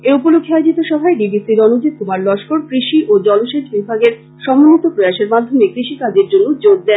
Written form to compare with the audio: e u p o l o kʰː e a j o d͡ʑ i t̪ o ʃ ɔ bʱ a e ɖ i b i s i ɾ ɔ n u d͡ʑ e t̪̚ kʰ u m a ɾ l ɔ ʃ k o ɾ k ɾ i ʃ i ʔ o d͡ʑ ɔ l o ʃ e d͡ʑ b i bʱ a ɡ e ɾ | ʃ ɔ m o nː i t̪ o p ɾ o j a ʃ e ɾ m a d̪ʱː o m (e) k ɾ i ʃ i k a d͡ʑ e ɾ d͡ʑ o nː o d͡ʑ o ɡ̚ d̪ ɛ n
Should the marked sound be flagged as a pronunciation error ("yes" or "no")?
no